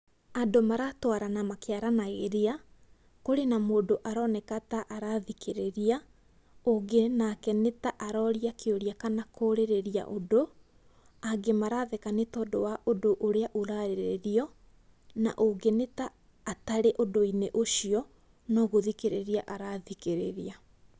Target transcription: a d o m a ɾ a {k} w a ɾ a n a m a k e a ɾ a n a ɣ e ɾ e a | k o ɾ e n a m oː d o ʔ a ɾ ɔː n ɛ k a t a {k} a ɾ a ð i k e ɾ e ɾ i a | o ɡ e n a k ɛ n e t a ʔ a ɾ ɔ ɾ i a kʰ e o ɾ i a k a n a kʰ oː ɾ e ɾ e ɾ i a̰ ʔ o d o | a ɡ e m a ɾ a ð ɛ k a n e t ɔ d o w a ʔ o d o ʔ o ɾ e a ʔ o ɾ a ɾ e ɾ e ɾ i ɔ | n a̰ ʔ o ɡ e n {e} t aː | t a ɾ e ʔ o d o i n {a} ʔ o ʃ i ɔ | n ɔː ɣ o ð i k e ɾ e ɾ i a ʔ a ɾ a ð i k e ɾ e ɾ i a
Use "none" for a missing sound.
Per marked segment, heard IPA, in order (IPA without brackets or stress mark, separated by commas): t, ʔ, e, e